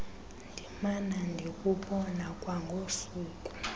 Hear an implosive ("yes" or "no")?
yes